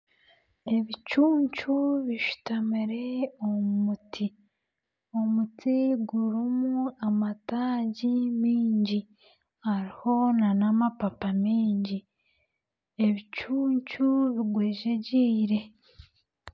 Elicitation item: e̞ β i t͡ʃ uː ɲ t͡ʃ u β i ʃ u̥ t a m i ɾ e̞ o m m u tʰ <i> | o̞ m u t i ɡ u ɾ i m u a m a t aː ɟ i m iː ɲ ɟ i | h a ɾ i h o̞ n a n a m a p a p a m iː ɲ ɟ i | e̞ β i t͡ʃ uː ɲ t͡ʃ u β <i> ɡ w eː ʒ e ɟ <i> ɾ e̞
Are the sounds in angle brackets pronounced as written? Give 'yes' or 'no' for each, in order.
yes, yes, no

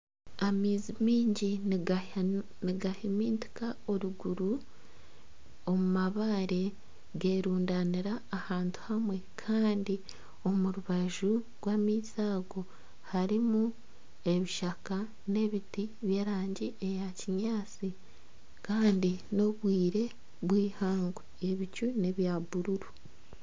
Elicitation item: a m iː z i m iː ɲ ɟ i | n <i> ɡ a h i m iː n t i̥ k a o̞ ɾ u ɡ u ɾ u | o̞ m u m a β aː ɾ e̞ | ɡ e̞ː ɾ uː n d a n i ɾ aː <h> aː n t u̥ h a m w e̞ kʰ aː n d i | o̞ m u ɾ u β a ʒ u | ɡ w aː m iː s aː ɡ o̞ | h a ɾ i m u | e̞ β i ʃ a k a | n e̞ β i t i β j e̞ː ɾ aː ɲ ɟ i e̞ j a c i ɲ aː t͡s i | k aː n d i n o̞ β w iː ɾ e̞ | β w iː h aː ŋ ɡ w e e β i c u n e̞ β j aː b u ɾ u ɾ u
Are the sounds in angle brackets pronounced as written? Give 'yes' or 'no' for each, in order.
yes, yes

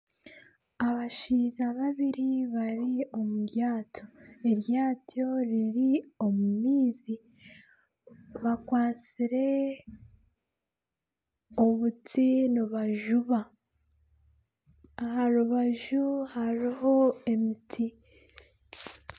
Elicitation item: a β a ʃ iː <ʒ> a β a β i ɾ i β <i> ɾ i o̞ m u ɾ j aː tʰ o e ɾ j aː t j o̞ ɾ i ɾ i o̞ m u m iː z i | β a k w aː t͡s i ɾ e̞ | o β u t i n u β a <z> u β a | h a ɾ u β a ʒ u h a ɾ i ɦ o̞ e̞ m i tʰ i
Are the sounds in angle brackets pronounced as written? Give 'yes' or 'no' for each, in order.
no, no, no

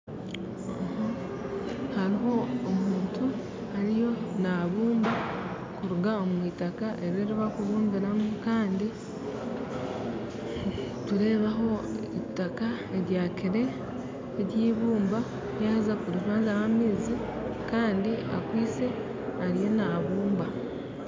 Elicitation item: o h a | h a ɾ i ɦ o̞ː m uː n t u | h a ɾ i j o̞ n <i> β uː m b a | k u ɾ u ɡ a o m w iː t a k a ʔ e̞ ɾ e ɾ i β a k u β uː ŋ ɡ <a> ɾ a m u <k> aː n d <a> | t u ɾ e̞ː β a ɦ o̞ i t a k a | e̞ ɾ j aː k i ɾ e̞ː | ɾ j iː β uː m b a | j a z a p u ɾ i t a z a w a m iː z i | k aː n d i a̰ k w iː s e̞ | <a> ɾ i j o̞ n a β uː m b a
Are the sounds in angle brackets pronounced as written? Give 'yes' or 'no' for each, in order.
no, no, yes, no, yes

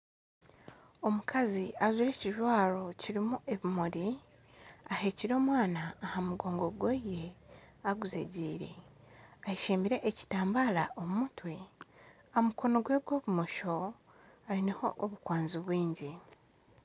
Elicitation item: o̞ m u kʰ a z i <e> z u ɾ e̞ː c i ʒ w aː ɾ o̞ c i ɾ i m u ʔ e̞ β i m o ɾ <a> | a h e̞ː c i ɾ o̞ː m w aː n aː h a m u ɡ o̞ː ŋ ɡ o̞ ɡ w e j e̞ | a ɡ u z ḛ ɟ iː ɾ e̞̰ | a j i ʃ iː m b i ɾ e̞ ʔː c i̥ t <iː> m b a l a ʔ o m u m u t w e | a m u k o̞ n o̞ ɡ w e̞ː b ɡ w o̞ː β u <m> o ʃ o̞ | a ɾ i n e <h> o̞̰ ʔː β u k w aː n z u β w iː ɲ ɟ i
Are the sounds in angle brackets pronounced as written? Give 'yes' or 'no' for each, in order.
no, no, no, yes, yes

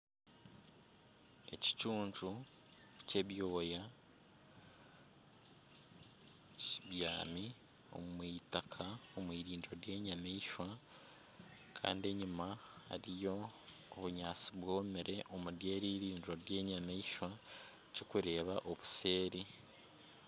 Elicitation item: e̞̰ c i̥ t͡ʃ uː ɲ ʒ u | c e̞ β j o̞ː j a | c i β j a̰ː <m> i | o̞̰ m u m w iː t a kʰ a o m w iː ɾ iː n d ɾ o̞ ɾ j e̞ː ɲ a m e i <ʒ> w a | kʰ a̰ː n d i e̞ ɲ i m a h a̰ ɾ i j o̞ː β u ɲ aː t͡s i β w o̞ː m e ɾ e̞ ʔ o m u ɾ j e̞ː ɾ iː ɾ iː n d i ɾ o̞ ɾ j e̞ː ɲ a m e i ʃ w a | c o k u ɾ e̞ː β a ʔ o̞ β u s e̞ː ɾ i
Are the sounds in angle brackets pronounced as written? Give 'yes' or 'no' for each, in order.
yes, no

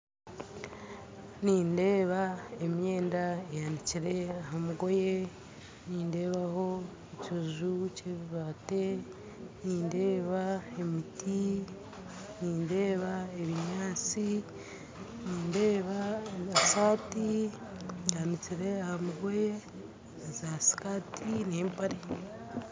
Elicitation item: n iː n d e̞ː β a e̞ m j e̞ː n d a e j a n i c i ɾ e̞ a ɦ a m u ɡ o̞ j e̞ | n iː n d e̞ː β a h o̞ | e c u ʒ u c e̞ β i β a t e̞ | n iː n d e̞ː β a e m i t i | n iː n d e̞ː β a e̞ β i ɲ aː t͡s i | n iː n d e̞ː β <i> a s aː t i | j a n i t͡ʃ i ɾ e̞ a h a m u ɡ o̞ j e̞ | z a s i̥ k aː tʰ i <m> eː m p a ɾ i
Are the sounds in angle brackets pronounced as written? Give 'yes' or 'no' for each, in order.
no, no

